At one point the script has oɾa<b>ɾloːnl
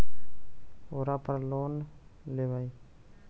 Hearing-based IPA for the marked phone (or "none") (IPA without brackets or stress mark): p